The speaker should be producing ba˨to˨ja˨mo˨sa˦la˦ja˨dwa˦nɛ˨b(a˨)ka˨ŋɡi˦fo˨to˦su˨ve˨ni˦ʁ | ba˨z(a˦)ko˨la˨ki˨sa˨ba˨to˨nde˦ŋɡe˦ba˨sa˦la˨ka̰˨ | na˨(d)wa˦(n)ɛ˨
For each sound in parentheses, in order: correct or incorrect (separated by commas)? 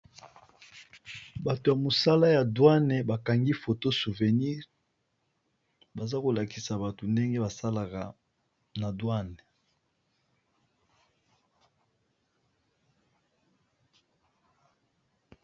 correct, correct, correct, correct